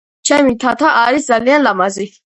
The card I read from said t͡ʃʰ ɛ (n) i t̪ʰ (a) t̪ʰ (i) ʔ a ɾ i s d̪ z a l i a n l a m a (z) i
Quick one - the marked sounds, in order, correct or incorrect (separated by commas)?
incorrect, correct, incorrect, correct